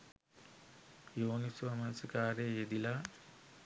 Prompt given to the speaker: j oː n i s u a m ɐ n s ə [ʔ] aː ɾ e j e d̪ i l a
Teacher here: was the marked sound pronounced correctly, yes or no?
no